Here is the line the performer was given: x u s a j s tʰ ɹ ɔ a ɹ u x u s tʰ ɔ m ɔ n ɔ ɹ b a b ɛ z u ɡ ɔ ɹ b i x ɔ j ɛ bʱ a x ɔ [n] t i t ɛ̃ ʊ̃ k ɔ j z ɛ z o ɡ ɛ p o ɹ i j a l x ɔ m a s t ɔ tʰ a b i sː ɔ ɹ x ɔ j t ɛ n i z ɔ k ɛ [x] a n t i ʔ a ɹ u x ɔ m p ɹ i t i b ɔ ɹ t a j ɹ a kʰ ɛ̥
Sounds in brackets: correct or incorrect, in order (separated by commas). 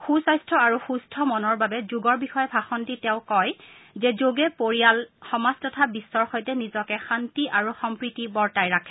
correct, correct